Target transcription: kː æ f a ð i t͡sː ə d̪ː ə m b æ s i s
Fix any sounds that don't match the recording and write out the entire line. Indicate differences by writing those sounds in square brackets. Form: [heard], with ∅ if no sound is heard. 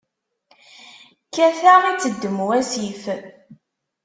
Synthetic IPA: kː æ [θ] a [ʁ] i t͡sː ə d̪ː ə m [w] æ s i [f]